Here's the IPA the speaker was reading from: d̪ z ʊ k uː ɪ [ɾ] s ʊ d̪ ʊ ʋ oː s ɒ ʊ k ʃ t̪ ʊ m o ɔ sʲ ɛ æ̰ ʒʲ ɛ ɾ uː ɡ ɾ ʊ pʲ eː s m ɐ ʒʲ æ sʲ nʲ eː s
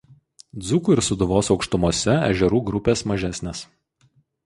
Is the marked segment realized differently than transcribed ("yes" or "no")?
no